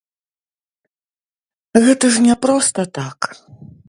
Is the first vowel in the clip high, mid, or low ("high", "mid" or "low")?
mid